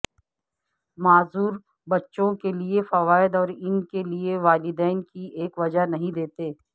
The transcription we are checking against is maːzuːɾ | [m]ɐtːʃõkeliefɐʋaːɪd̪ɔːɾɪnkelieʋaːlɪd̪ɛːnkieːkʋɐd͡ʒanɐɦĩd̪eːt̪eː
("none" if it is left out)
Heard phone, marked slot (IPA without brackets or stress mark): b